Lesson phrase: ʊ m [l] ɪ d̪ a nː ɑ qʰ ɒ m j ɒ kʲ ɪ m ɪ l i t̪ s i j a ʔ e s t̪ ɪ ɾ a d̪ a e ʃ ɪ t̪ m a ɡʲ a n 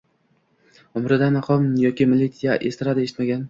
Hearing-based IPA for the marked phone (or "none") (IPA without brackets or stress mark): ɾ